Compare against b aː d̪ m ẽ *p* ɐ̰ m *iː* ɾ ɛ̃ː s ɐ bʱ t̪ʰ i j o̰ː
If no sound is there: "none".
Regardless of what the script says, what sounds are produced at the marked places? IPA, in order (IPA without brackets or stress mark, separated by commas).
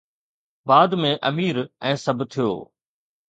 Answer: ʔ, iː